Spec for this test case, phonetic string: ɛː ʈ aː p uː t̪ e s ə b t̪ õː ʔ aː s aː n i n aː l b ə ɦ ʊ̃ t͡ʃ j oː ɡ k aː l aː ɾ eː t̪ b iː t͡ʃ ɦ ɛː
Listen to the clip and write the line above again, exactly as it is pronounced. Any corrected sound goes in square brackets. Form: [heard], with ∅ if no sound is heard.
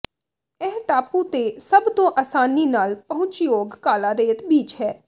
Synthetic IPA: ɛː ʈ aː p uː t̪ e s ə b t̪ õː ʔ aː s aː n i n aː l [p] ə ɦ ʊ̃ t͡ʃ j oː ɡ k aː l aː ɾ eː t̪ b iː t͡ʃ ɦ ɛː